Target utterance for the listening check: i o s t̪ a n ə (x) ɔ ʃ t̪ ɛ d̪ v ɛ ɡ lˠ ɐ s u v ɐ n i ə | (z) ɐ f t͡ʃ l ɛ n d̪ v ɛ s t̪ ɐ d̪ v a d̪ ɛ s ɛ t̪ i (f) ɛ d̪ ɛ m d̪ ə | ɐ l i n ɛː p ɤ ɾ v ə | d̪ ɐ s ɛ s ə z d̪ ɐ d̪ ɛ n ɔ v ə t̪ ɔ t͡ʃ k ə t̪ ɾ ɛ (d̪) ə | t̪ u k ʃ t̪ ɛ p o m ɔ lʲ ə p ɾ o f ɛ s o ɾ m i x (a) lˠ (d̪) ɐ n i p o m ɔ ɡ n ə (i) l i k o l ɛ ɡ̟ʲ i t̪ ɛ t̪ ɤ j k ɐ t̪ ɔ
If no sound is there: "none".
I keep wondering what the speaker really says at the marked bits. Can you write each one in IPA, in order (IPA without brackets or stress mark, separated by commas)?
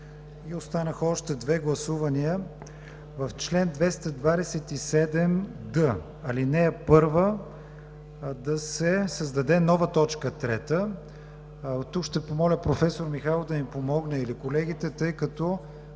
x, v, s, t̪, a, d̪, i